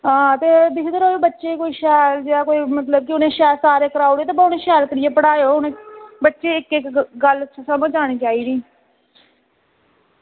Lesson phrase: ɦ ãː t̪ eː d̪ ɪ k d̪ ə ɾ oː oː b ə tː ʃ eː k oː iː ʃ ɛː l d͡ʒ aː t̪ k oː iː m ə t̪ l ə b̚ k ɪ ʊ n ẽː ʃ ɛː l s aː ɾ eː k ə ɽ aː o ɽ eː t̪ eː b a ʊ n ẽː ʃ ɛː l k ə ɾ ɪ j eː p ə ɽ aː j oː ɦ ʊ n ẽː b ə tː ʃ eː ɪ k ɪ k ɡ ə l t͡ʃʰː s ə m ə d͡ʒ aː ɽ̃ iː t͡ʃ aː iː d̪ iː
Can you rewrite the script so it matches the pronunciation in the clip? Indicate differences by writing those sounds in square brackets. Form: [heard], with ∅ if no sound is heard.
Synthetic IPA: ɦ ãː t̪ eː d̪ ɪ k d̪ ə ɾ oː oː b ə tː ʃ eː k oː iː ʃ ɛː l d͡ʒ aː [∅] k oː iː m ə t̪ l ə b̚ k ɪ ʊ n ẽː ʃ ɛː l s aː ɾ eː k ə [ɾ] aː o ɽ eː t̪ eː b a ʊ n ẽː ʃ ɛː l k ə ɾ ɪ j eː p ə ɽ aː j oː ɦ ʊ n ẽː b ə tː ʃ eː ɪ k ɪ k ɡ ə l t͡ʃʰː s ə m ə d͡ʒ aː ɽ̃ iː t͡ʃ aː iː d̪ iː

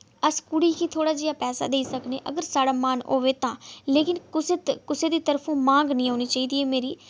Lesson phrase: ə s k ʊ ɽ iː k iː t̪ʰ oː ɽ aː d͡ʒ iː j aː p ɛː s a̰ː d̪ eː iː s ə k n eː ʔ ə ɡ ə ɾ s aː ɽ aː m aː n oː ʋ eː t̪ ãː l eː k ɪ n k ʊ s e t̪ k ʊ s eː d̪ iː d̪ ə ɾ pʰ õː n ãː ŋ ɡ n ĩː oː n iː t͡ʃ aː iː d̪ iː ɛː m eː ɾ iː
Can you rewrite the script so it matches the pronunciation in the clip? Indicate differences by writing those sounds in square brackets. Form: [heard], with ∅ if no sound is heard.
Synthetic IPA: ə s k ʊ ɽ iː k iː t̪ʰ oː ɽ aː d͡ʒ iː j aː p ɛː s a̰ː d̪ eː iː s ə k n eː ʔ ə ɡ ə ɾ s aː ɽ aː m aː n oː ʋ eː t̪ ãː l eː k ɪ n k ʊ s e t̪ k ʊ s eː d̪ iː [t̪] ə ɾ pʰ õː [m] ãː ŋ ɡ n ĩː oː n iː t͡ʃ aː iː d̪ iː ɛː m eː ɾ iː

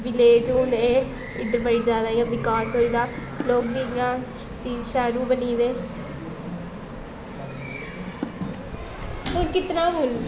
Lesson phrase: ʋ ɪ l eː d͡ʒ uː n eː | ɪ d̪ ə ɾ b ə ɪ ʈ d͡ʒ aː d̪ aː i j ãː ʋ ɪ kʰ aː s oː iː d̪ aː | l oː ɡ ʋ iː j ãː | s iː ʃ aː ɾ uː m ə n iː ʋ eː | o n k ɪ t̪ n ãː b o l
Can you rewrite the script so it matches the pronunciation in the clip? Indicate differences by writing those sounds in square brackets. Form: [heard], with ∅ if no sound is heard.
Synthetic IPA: ʋ ɪ l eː d͡ʒ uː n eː | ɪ d̪ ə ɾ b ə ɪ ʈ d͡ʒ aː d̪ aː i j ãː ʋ ɪ [k] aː s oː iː d̪ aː | l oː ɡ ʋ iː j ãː | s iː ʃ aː ɾ uː [b] ə n iː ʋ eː | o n k ɪ t̪ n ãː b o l

